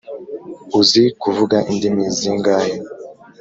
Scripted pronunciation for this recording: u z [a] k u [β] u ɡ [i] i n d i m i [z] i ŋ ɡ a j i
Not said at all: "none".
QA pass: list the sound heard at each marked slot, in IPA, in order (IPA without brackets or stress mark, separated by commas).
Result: i, v, a, z